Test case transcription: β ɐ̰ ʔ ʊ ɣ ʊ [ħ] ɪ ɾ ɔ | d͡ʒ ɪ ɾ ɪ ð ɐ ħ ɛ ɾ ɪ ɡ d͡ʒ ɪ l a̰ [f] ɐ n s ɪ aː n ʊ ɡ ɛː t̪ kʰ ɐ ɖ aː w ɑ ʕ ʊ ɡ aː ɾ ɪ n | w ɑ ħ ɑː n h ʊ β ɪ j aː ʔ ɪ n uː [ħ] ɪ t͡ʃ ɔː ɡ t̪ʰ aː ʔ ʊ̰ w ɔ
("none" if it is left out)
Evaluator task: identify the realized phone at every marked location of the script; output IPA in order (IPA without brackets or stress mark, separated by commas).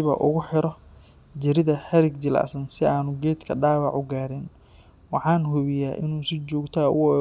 ħ, s, s